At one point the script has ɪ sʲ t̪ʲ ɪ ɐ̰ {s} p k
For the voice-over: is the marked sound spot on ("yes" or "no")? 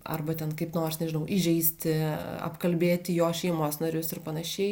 no